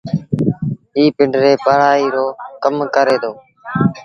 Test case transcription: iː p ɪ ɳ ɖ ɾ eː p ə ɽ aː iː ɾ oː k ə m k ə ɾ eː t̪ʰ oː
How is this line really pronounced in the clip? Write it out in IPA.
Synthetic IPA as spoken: iː p ɪ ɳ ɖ ɾ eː p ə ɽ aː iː ɾ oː k ə m k ə ɾ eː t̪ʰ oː

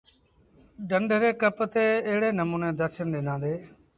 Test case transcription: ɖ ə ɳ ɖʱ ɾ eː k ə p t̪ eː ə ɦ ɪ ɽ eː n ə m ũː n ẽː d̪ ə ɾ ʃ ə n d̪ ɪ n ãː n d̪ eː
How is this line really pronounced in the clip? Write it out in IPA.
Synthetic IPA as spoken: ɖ ə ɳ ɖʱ ɾ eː k ə p t̪ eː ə ɦ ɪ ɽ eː n ə m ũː n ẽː d̪ ə ɾ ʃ ə n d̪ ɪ n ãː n d̪ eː

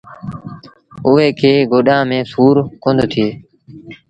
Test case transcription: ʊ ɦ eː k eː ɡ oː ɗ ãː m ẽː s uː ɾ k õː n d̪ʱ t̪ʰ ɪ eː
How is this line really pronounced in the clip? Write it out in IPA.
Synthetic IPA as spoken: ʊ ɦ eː kʰ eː ɡ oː ɗ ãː m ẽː s uː ɾ k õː n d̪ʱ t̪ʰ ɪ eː

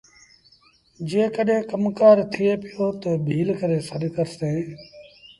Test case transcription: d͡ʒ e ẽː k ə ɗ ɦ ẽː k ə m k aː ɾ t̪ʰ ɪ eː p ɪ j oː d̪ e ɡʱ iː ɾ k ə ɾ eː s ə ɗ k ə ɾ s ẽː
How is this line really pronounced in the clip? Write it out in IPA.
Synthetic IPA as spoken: d͡ʒ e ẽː k ə ɗ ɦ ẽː k ə m k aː ɾ t̪ʰ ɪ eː p ɪ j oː t̪ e bʱ iː l k ə ɾ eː s ə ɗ k ə ɾ s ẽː

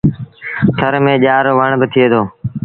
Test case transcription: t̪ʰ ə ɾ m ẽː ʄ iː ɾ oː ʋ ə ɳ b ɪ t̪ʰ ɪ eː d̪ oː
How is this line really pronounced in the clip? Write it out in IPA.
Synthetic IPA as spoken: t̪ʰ ə ɾ m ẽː ʄ aː ɾ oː ʋ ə ɳ b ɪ t̪ʰ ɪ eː d̪ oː

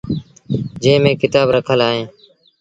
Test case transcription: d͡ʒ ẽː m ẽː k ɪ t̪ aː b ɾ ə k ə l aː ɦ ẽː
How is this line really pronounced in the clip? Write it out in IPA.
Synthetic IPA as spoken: d͡ʒ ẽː m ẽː k ɪ t̪ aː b ɾ ə kʰ ə l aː ɦ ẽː

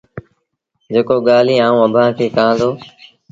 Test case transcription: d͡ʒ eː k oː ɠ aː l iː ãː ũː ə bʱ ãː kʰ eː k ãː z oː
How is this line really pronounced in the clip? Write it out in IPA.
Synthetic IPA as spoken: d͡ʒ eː k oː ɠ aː l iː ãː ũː ə bʱ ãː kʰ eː k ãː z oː

